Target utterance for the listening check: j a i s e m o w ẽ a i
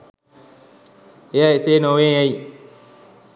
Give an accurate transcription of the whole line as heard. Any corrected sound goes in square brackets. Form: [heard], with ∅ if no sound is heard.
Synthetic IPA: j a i s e [n] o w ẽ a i